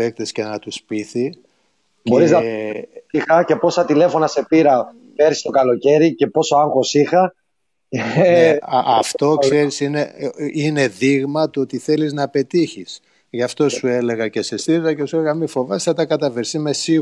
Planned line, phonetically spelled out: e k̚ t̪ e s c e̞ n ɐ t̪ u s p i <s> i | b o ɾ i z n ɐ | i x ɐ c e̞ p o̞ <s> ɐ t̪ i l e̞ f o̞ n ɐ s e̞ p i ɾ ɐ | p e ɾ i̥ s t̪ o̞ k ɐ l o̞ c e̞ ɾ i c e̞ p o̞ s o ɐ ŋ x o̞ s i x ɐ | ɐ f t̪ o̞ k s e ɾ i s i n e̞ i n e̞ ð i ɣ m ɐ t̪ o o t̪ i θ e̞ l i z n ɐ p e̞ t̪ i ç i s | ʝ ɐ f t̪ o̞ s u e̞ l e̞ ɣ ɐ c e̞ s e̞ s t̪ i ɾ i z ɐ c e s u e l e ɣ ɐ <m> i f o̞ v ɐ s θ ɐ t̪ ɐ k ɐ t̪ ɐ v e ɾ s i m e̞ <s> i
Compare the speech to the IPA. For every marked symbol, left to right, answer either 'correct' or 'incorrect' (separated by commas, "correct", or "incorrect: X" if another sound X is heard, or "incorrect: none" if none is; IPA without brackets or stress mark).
incorrect: θ, correct, correct, correct